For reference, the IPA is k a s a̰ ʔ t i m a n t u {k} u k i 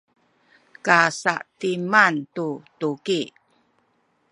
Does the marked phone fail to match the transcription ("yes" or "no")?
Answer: yes